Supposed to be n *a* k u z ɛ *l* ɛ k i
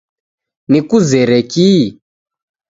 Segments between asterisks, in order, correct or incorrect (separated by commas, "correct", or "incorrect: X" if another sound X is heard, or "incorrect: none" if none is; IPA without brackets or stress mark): incorrect: i, incorrect: ɾ